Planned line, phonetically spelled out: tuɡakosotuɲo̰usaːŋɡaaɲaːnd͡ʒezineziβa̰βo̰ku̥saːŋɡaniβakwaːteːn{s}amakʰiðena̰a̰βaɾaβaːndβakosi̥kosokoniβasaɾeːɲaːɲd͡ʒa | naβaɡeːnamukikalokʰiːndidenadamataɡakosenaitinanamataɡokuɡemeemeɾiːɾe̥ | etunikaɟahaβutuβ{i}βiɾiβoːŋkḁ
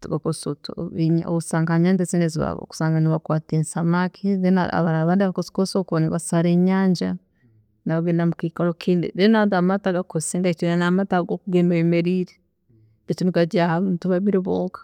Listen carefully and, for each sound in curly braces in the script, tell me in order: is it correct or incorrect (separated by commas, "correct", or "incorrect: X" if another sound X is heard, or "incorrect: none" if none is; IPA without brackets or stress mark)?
correct, incorrect: a